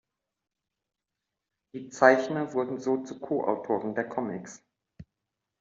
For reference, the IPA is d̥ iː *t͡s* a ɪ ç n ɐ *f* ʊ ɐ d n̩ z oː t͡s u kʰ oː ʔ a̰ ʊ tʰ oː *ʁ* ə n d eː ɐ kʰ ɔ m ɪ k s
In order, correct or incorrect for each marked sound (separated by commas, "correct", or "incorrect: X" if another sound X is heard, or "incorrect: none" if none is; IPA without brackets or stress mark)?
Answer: correct, incorrect: v, correct